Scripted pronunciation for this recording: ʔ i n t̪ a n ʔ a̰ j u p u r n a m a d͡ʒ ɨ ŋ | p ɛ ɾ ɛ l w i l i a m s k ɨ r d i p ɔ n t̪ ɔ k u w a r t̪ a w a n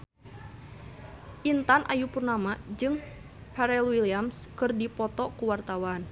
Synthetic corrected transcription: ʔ i n t̪ a n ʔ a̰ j u p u r n a m a d͡ʒ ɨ ŋ | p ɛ ɾ ɛ l w i l i a m s k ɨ r d i p ɔ t̪ ɔ k u w a r t̪ a w a n

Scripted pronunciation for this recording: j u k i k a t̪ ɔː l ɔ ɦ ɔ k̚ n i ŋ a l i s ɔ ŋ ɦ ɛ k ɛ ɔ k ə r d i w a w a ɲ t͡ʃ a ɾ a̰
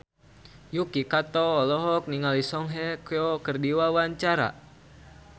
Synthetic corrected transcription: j u k i k a t̪ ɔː l ɔ ɦ ɔ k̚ n i ŋ a l i s ɔ ŋ ɦ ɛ k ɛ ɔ k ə r d i w a w a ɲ t͡ʃ a ɾ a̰

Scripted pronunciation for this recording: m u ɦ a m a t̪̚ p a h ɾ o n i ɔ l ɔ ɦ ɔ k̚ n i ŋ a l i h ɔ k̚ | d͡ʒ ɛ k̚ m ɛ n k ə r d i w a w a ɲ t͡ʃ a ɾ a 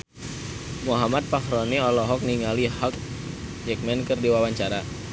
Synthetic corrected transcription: m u ɦ a m a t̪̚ p a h ɾ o n i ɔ l ɔ ɦ ɔ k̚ n i ŋ a l i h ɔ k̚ | d͡ʒ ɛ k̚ m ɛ n k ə r d i w a w a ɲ t͡ʃ a ɾ a

